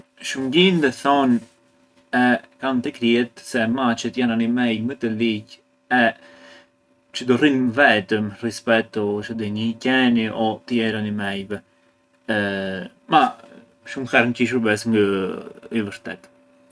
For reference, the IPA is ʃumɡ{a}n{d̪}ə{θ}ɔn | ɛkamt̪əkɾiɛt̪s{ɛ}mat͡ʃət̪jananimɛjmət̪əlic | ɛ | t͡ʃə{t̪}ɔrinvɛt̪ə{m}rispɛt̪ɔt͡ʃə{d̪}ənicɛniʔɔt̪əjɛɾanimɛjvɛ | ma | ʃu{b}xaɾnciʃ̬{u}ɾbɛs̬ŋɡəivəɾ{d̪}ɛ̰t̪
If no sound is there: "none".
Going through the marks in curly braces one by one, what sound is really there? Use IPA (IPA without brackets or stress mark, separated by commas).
i, d̪, θ, ɛ, d̪, m, d̪, m, u, t̪